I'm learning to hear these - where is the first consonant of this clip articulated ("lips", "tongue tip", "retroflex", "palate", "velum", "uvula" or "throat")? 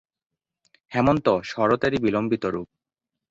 throat